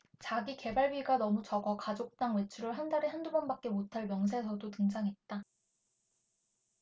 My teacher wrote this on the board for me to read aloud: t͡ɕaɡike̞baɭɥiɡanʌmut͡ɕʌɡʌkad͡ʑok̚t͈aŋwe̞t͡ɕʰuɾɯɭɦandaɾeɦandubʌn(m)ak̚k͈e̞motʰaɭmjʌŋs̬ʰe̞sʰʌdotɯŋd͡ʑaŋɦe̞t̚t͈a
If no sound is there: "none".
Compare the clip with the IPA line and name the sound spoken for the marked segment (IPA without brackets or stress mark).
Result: b